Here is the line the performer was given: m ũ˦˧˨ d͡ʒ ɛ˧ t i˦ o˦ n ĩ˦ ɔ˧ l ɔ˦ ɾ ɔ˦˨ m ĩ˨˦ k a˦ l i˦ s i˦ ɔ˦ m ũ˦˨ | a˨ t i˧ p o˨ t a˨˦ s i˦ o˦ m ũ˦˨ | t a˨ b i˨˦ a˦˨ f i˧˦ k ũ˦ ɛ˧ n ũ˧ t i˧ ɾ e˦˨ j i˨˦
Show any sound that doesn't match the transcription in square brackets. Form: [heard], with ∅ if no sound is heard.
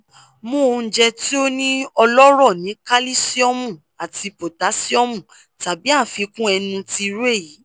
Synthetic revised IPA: m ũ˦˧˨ d͡ʒ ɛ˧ t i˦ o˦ n ĩ˦ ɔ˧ l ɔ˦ ɾ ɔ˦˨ [n] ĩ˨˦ k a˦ l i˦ s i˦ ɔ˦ m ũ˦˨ | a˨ t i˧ p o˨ t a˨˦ s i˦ [ɔ˦] m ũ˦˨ | t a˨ b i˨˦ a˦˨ f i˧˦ k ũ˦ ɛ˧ n ũ˧ t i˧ ɾ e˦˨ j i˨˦